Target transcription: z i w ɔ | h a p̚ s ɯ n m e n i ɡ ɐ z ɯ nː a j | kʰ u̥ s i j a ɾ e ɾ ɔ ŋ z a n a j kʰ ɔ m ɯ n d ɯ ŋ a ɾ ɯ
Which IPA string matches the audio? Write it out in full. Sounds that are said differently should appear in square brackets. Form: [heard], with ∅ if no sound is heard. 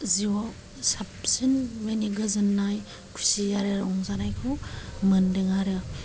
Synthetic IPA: z i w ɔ | [s] a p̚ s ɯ n m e n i ɡ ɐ z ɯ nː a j | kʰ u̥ s i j a ɾ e ɾ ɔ ŋ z a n a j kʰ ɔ m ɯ n d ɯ ŋ a ɾ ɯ